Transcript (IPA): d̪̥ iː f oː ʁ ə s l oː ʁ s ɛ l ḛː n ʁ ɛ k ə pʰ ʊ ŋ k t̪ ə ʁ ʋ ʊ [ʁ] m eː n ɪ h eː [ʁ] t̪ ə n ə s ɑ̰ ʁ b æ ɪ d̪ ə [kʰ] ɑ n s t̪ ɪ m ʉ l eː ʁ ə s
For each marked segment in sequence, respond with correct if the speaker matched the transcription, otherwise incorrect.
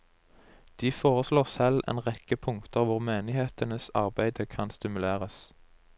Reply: correct, incorrect, correct

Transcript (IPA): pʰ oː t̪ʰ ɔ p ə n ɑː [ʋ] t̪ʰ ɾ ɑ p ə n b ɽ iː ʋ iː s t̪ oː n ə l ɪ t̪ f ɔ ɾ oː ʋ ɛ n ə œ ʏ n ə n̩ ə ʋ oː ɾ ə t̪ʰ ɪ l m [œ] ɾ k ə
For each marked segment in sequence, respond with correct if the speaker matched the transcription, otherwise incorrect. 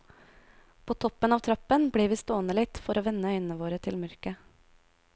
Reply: correct, correct

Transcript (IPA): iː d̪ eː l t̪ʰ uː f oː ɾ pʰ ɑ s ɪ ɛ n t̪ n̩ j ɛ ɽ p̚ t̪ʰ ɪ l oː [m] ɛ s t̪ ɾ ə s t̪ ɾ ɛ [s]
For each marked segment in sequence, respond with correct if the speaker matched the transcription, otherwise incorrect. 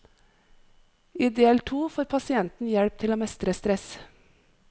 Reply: correct, correct

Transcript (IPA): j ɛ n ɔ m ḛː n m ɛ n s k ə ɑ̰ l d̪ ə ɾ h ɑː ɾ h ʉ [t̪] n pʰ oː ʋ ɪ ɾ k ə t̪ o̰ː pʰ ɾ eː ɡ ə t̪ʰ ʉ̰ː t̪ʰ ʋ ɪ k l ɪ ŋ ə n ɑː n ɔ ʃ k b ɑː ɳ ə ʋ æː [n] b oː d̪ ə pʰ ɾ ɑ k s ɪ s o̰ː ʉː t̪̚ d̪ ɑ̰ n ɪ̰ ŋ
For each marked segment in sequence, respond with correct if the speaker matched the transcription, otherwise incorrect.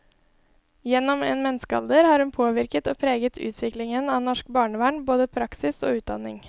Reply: incorrect, incorrect

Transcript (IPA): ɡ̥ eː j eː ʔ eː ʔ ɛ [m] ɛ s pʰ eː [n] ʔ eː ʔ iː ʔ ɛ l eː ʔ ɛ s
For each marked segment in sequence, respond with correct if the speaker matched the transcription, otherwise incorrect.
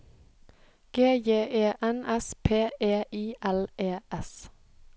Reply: incorrect, incorrect

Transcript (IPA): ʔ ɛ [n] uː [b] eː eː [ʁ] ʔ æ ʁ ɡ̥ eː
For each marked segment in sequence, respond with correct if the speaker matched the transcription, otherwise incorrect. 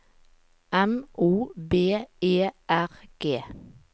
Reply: incorrect, correct, incorrect

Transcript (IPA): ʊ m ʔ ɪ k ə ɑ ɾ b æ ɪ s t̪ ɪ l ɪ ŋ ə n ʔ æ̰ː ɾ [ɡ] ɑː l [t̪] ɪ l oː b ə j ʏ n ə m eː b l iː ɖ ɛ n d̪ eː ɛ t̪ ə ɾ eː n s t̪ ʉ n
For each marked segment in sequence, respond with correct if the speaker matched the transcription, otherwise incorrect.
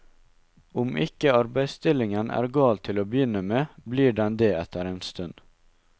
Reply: correct, incorrect

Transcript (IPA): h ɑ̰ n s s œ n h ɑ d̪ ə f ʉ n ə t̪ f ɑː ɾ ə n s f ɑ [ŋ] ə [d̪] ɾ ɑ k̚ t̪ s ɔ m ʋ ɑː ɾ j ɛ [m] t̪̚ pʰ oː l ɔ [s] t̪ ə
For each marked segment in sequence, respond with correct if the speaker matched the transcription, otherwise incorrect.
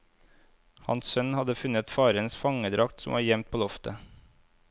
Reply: correct, correct, correct, incorrect

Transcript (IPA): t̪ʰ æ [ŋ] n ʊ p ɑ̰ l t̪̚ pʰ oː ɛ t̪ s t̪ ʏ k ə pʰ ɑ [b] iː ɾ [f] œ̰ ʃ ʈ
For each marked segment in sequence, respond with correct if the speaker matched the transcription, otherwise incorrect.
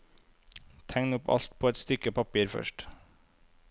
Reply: correct, incorrect, correct

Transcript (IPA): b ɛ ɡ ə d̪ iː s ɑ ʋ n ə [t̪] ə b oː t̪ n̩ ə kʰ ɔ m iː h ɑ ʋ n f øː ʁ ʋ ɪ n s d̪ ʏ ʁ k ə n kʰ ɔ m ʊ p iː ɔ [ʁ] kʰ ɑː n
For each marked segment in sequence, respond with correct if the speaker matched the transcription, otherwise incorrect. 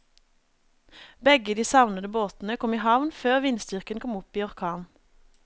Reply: incorrect, correct

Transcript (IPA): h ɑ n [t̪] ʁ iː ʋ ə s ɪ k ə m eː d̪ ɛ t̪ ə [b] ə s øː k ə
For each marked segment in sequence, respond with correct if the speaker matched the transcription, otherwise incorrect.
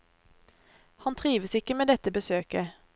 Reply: incorrect, correct

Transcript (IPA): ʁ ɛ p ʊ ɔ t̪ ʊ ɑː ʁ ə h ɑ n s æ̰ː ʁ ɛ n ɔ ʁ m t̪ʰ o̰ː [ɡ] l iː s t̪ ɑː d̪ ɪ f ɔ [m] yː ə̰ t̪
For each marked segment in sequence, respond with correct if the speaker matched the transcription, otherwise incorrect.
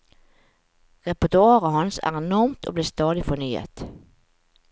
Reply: incorrect, incorrect

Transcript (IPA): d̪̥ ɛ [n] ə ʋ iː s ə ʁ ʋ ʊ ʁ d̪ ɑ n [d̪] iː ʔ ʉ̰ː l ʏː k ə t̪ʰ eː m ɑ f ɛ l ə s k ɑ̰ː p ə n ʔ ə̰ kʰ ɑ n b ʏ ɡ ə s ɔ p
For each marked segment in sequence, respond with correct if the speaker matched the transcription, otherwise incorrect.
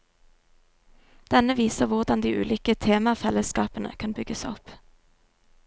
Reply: correct, correct

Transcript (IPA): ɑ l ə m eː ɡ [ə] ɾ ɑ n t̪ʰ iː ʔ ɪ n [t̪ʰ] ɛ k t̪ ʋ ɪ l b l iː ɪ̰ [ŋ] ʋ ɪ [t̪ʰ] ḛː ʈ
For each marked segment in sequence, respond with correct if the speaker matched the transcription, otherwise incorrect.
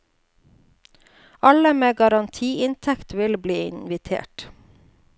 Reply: incorrect, correct, incorrect, correct

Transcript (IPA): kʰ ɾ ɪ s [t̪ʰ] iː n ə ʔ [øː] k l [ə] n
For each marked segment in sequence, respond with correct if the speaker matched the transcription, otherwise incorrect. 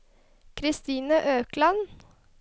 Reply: incorrect, correct, incorrect

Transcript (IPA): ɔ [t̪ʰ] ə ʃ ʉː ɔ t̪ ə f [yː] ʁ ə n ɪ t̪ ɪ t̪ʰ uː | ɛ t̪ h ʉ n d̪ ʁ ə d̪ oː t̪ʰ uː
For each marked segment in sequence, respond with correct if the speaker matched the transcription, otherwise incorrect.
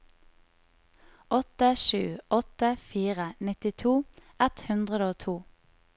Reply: incorrect, incorrect

